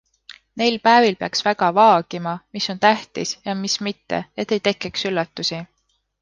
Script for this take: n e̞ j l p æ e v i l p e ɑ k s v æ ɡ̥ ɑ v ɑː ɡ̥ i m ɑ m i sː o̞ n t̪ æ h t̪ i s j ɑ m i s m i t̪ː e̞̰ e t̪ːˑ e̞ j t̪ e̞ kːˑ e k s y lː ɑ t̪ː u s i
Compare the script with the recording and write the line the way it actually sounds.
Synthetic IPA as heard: n e̞ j l p æ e v i l p e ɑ k s v æ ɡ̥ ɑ v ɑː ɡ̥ i m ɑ m i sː o̞ n t̪ æ h t̪ i s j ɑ m i s m i t̪ː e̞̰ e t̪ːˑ e̞ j t̪ e̞ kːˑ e k s y lː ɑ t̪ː u s i